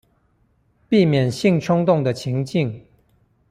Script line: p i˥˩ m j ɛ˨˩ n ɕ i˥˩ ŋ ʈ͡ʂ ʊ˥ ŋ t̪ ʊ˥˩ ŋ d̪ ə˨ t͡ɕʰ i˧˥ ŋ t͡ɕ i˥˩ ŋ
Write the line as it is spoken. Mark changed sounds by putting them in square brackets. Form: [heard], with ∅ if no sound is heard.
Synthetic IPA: p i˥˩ m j ɛ˨˩ n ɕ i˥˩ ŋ [ʈ͡ʂʰ] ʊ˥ ŋ t̪ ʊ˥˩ ŋ d̪ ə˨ t͡ɕʰ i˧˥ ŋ t͡ɕ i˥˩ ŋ